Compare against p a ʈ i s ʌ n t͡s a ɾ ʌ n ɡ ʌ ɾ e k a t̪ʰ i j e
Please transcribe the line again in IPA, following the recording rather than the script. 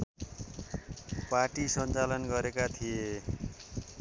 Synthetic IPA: p a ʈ i s ʌ n t͡s a l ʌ n ɡ ʌ ɾ e k a t̪ʰ i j e